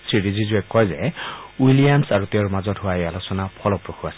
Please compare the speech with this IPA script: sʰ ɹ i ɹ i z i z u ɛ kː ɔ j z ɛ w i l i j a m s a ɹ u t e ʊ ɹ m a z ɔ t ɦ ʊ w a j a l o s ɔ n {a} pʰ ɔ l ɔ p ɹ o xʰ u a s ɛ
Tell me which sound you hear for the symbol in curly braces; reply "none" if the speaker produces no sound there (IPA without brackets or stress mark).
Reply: a